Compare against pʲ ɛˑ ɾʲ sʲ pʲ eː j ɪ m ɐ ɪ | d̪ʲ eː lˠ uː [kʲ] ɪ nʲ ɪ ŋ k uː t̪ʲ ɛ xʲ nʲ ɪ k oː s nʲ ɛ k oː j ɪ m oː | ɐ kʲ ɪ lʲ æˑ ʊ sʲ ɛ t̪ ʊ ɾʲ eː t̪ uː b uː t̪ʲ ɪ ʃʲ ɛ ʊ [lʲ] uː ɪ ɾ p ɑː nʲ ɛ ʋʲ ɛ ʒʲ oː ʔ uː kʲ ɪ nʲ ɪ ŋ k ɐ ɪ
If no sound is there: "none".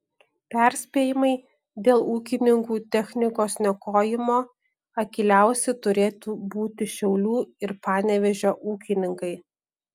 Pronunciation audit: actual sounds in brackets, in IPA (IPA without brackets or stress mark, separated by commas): kʲ, lʲ